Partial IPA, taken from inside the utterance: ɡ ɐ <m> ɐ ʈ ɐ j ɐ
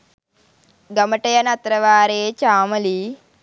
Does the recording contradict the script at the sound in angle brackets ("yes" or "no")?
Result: no